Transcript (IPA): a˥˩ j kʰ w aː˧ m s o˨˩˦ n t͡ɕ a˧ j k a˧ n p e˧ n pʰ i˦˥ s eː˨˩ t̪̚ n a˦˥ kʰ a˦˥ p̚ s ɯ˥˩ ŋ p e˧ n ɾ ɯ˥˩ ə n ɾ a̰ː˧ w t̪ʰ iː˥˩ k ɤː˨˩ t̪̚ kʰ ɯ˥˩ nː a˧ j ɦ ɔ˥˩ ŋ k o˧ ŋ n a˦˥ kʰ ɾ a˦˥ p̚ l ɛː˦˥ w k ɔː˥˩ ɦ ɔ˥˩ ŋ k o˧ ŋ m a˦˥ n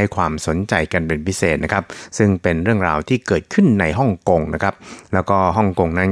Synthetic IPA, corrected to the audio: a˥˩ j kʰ w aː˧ m s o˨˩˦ n t͡ɕ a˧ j k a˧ n p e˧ n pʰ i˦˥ s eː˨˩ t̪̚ n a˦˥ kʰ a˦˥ p̚ s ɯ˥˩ ŋ p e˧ n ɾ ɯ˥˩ ə ŋ ɾ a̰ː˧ w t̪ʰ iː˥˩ k ɤː˨˩ t̪̚ kʰ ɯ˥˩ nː a˧ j ɦ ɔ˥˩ ŋ k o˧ ŋ n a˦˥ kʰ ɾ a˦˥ p̚ l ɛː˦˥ w k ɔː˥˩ ɦ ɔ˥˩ ŋ k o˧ ŋ n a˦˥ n